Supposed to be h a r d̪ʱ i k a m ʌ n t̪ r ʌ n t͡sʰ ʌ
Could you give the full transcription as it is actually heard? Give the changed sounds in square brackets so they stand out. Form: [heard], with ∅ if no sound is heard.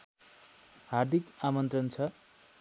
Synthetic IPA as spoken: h a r d̪ʱ i k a m ʌ n t̪ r ʌ n t͡sʰ ʌ